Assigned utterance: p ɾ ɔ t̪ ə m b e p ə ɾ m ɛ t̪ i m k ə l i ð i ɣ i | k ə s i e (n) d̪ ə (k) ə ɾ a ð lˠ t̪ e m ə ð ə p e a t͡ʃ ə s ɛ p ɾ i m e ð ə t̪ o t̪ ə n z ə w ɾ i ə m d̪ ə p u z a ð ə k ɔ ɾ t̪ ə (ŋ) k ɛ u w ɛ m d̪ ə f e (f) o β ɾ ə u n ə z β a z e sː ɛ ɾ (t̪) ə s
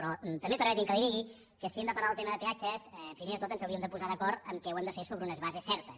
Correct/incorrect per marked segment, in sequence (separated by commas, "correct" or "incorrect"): incorrect, incorrect, incorrect, incorrect, correct